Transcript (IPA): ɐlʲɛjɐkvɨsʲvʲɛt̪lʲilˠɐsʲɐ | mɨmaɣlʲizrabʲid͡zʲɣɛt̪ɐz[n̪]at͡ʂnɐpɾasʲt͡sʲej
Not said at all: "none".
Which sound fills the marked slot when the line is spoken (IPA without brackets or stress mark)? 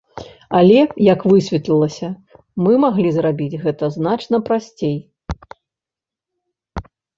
n̪